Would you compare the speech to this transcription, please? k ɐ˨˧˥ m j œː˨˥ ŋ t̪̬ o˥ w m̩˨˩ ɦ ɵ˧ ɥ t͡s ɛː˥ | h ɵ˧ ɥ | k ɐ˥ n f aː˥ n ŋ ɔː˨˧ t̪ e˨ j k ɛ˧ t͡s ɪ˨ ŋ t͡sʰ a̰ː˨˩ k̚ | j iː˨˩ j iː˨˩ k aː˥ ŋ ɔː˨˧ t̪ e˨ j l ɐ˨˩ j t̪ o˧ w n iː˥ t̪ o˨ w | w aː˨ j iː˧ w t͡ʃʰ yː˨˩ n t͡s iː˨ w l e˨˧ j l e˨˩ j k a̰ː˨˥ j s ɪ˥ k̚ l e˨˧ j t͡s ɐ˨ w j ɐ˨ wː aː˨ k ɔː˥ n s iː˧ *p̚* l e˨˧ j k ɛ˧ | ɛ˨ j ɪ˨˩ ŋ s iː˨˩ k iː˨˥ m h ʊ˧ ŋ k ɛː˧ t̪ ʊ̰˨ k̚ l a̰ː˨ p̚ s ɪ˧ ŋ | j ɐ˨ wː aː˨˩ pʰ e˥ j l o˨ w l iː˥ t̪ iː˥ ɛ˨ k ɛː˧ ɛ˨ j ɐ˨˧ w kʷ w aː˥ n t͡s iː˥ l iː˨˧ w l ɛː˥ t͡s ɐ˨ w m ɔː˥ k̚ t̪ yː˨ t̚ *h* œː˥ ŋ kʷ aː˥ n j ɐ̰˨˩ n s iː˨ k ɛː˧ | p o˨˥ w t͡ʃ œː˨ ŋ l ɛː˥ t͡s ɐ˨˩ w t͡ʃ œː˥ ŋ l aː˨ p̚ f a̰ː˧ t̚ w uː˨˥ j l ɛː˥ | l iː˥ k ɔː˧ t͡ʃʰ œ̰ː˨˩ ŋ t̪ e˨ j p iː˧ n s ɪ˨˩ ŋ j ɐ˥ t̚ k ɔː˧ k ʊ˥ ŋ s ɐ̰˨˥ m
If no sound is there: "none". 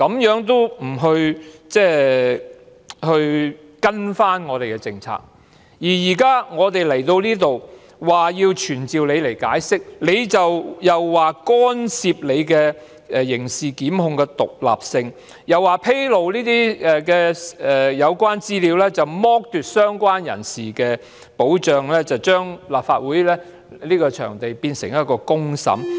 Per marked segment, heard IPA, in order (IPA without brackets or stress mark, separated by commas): p̚, s